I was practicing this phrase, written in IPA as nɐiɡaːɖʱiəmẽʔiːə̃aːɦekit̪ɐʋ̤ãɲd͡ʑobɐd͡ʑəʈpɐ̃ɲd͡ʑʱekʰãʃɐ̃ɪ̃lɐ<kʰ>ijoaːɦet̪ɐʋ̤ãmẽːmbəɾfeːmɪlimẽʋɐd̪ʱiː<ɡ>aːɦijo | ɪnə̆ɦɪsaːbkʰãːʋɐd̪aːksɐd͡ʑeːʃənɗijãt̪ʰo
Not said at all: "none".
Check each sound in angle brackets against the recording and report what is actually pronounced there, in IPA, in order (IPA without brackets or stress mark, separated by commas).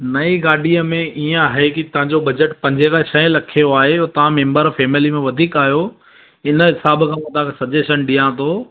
kʰ, k